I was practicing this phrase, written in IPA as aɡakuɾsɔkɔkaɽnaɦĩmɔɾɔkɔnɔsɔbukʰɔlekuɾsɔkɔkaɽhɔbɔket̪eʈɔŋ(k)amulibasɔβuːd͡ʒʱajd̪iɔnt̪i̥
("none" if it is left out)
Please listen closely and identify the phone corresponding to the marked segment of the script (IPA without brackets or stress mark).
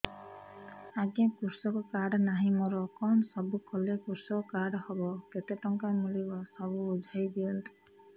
k